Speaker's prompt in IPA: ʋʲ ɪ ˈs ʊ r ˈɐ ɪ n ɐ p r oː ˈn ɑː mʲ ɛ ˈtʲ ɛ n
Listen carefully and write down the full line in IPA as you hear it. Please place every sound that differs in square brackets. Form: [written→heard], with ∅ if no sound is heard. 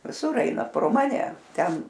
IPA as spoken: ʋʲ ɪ ˈs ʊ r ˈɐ ɪ n ɐ p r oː [ˈn→ˈm] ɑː [mʲ→nʲ] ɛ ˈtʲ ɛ n